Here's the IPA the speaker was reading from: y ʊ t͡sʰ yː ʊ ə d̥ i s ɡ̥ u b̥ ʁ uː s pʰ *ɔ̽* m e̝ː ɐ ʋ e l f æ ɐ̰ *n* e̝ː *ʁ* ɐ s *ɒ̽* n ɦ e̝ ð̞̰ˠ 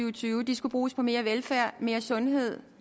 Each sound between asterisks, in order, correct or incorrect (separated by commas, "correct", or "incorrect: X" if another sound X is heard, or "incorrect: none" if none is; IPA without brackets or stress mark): incorrect: ɒ̽, incorrect: m, incorrect: none, incorrect: ɔ̽